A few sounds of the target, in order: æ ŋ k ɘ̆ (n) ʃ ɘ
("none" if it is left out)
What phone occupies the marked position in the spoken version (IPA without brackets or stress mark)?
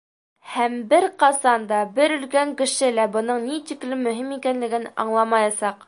none